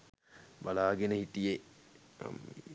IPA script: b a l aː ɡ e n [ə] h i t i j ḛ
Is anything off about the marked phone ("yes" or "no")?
no